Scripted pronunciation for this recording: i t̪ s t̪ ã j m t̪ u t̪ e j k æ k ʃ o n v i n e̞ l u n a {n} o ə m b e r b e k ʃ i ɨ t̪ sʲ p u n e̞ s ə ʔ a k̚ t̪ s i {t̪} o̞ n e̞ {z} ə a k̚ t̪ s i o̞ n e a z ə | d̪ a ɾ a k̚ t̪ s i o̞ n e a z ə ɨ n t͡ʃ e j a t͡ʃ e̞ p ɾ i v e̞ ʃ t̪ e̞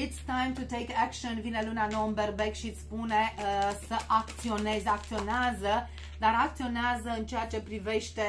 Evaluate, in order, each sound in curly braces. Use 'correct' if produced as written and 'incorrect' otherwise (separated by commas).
correct, incorrect, correct